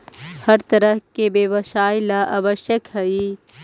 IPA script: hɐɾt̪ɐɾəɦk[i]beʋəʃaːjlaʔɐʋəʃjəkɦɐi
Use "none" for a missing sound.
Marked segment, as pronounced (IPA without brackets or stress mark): e